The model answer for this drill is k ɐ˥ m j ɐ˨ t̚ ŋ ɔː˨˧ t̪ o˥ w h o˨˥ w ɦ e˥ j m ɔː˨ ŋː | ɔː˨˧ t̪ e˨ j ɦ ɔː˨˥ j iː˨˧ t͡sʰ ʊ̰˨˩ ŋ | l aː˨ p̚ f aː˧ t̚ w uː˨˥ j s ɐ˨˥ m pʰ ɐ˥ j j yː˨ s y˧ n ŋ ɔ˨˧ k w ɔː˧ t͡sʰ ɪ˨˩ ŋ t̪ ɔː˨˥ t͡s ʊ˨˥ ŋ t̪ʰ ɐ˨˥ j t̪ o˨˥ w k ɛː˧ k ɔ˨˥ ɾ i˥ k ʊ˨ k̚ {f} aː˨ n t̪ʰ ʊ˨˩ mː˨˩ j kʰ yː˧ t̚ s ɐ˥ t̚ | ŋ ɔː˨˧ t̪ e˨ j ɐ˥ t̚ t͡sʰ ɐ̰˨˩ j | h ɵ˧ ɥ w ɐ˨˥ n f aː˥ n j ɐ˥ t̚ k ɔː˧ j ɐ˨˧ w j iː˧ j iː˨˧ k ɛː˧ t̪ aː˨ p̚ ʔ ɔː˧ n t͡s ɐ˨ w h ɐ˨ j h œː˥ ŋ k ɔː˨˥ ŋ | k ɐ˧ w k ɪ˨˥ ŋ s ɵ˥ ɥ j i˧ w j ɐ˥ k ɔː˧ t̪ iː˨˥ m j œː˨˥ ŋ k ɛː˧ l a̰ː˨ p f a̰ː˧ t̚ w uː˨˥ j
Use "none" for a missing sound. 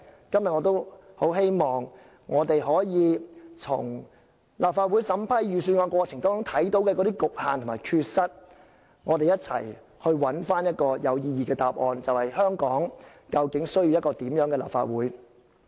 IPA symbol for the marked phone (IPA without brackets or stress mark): h